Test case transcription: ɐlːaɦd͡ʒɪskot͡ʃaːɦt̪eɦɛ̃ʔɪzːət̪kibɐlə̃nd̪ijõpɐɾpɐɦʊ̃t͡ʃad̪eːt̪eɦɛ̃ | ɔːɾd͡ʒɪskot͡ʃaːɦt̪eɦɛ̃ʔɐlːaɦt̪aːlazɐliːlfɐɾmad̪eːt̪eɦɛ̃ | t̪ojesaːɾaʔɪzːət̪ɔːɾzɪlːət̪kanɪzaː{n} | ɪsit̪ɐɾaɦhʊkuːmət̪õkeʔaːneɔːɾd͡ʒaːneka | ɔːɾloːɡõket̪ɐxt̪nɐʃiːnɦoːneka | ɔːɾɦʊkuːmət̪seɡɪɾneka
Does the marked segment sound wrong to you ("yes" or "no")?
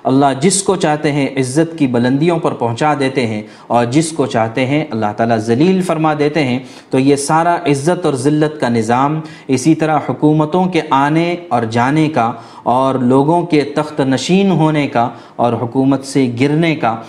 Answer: yes